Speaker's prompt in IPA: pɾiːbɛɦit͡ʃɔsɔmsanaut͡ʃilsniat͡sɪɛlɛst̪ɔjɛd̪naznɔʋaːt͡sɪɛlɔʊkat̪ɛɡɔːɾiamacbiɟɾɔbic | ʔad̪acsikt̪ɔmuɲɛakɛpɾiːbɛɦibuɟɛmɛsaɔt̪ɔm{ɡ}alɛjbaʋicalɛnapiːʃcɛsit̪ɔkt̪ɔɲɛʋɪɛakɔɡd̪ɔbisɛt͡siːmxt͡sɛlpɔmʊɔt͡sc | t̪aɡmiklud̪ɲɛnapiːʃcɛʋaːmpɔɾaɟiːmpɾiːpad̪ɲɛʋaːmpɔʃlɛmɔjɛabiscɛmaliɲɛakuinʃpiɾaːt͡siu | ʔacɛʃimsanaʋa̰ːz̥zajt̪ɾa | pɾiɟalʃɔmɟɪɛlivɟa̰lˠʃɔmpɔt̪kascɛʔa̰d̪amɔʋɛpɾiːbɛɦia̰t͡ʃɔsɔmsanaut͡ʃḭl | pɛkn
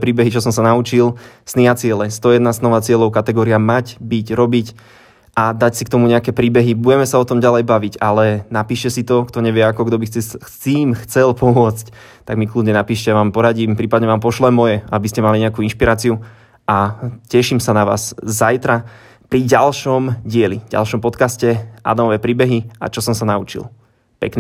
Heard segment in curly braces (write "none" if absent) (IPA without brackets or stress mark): ɟ